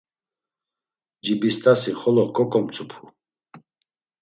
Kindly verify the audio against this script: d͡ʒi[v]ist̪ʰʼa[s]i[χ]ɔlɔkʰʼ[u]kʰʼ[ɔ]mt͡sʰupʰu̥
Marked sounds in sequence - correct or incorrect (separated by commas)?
incorrect, correct, correct, incorrect, correct